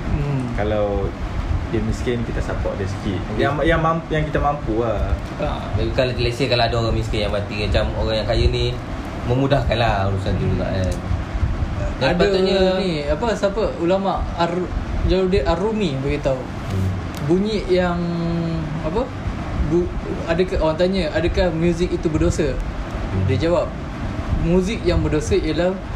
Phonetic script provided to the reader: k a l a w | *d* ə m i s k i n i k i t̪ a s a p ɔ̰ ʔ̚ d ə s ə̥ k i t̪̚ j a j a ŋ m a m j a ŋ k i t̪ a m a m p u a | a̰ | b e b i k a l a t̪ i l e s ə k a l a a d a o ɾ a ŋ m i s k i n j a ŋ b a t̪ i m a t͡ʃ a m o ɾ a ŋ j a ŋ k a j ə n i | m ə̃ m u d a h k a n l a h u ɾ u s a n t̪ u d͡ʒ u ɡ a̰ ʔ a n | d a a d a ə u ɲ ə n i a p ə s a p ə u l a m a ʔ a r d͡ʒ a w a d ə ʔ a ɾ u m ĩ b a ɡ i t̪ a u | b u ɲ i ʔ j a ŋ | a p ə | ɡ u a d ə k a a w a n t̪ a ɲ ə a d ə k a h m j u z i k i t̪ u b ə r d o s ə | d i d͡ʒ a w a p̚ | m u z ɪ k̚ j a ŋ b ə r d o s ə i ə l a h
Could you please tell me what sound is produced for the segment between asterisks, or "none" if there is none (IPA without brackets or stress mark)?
d